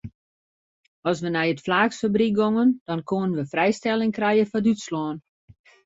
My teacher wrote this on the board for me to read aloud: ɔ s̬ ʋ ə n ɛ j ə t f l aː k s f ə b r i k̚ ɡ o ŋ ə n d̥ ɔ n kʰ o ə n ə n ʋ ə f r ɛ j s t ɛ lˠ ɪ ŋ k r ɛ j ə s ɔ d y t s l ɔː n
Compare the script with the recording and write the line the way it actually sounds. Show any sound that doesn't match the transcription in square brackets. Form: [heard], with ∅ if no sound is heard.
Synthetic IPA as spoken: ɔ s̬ ʋ ə n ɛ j ə t f l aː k s f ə b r i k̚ ɡ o ŋ ə n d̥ ɔ n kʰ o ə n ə n ʋ ə f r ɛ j s t ɛ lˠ ɪ ŋ k r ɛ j ə [f] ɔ d y t s l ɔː n